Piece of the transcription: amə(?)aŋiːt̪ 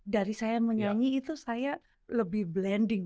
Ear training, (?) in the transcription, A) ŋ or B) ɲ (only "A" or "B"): B